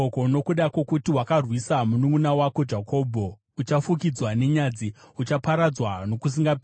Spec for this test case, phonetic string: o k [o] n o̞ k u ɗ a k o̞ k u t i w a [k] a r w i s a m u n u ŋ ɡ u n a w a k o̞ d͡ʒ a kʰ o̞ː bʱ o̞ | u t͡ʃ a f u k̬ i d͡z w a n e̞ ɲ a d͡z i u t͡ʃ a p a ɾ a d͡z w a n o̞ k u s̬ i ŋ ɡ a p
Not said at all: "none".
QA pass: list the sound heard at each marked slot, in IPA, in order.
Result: o, k

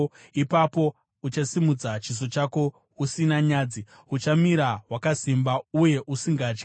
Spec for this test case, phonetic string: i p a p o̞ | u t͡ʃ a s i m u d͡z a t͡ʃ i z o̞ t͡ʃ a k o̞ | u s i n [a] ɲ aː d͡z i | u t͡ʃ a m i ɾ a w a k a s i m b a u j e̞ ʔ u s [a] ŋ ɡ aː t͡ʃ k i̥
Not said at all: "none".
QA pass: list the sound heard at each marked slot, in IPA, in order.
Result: a, i

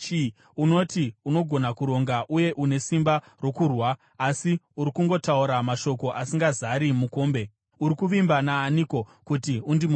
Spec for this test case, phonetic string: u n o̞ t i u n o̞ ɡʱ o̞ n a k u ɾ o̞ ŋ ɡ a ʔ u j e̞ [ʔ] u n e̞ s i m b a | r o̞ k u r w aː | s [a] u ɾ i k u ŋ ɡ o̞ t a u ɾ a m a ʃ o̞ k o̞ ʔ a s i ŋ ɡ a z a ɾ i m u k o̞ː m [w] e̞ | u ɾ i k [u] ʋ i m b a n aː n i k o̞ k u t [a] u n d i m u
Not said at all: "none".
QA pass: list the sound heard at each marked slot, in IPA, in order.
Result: ʔ, i, b, u, i

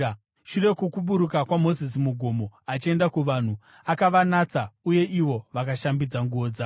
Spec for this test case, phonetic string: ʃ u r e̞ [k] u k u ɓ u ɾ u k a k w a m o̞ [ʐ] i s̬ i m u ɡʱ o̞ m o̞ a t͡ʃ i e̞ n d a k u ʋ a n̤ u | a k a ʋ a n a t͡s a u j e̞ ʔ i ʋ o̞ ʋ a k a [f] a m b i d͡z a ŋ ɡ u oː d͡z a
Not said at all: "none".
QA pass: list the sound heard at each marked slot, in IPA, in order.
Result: k, z, ʃ

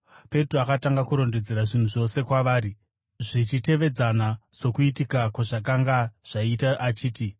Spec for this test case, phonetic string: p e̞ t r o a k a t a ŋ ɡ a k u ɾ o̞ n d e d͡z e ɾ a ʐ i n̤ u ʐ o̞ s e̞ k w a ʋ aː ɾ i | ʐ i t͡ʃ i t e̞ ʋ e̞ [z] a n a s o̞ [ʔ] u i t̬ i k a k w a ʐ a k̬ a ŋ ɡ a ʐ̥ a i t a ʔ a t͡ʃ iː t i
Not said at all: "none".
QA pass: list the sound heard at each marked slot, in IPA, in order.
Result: d͡z, k

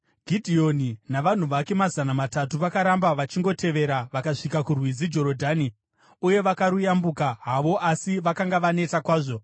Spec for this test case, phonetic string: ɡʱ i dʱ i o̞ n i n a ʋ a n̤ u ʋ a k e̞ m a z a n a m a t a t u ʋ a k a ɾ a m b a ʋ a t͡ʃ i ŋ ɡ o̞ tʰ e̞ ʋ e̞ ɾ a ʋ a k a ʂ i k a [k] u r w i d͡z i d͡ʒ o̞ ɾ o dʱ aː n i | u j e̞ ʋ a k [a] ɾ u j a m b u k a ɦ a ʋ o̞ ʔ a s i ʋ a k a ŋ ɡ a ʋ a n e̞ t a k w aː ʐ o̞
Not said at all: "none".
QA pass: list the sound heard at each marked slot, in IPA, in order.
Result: k, a

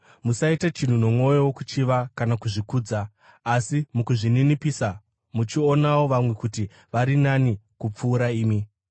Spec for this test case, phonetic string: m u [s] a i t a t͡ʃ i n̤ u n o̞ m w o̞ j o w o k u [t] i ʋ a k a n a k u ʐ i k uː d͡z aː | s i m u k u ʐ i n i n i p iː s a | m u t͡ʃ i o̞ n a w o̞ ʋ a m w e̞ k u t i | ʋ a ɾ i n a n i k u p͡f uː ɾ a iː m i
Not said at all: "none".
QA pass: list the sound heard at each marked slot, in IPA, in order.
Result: s, t͡ʃ

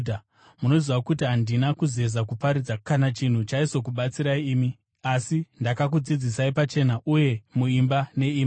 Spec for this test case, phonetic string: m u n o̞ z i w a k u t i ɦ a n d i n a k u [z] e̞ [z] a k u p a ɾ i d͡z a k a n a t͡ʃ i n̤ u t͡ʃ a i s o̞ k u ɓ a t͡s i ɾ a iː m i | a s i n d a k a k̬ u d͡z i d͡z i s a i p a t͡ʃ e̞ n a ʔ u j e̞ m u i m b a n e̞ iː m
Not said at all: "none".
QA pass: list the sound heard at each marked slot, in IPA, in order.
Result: z, z

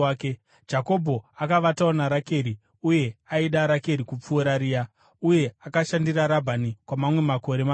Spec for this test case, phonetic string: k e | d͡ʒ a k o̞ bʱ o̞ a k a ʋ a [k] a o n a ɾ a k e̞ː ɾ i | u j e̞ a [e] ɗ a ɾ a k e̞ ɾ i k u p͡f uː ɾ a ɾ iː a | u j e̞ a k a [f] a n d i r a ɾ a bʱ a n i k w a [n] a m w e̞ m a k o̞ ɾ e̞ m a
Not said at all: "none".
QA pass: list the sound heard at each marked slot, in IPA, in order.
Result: t, i, ʃ, m

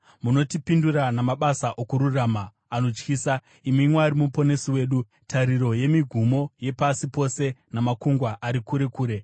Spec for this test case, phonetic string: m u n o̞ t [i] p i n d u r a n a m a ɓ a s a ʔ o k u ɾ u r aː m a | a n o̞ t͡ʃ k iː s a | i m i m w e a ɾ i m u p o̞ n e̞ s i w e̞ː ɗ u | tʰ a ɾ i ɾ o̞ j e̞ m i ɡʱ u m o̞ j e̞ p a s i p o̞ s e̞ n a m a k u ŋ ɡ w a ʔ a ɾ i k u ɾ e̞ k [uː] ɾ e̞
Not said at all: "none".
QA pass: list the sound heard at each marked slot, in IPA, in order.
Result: i, uː

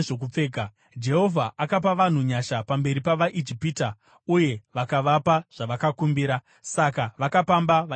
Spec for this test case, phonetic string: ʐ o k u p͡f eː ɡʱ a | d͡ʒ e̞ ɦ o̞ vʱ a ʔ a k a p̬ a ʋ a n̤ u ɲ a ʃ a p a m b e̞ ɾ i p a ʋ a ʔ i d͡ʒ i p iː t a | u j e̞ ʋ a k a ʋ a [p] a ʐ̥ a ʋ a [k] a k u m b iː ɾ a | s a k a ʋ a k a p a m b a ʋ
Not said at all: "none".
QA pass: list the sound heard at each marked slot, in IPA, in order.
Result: p, k

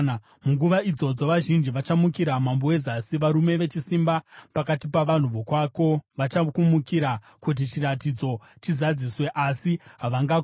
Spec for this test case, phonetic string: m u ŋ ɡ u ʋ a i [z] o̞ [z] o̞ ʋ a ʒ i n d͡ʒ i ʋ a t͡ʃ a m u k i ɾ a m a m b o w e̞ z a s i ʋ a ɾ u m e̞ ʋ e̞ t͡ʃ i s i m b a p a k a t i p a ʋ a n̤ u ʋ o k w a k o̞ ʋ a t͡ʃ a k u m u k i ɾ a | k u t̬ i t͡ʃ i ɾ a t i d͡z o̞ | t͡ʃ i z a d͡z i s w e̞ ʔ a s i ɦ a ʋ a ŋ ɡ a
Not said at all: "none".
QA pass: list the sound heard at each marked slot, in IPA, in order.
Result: d͡z, d͡z

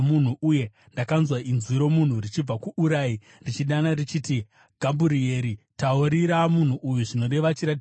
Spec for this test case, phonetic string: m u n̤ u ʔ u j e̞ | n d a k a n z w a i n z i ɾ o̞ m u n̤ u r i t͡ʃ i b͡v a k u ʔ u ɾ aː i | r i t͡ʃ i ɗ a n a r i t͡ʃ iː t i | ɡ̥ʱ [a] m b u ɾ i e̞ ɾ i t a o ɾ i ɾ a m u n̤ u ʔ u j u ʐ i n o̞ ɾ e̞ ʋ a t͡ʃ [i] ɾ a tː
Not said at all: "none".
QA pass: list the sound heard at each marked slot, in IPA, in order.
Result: a, i

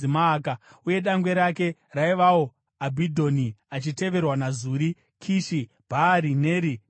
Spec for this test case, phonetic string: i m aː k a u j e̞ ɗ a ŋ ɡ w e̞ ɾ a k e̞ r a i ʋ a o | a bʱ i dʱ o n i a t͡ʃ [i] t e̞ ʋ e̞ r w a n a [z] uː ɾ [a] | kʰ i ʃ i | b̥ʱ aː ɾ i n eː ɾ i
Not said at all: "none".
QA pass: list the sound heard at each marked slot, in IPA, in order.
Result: i, z, i

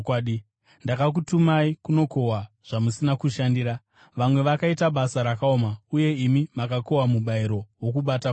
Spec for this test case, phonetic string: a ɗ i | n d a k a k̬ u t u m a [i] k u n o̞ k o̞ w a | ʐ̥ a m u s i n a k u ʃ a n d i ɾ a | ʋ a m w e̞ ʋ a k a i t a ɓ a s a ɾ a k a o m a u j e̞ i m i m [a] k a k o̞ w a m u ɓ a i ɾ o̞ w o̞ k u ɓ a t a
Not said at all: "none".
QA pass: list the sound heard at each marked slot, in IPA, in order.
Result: i, a

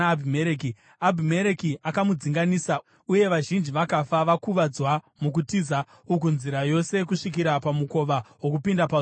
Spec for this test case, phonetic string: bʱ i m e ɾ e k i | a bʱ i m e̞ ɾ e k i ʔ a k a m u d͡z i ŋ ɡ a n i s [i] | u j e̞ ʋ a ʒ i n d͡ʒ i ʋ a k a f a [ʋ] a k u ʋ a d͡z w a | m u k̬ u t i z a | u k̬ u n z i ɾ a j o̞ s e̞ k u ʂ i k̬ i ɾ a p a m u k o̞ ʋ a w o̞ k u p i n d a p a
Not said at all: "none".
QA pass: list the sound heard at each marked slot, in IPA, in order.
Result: a, ʋ

